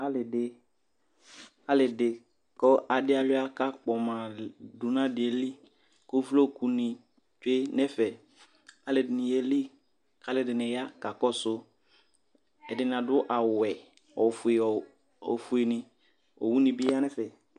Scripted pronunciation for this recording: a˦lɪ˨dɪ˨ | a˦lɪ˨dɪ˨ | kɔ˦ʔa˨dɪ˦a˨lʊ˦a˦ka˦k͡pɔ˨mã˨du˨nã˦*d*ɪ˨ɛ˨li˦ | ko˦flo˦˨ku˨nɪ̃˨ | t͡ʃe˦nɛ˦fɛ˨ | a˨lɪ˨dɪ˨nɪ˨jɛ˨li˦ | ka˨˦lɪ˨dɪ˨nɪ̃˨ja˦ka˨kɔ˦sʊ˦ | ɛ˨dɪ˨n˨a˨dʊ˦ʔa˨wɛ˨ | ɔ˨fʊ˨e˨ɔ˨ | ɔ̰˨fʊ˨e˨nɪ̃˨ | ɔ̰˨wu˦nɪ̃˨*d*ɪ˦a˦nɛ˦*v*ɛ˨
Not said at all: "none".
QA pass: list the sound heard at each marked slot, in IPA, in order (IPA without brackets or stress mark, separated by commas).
d, b, f